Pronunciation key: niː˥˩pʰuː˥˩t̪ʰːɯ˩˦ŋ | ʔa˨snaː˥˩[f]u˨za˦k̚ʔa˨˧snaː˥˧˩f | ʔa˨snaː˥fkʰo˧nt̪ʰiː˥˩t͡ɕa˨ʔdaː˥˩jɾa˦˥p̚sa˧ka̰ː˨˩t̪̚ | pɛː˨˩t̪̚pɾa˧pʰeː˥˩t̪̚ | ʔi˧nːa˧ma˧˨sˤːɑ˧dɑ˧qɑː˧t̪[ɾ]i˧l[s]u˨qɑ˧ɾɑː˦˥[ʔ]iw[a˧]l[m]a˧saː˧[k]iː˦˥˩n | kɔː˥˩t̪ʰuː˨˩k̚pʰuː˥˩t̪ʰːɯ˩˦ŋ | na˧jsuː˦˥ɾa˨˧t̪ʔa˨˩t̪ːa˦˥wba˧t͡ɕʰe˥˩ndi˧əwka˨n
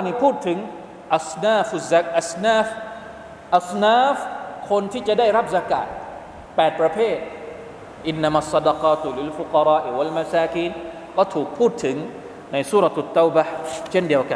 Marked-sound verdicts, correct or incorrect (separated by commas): correct, incorrect, incorrect, correct, correct, correct, correct